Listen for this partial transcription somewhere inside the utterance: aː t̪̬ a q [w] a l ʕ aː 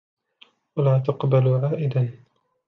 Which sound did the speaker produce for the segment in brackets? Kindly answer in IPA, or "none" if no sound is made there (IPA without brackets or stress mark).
b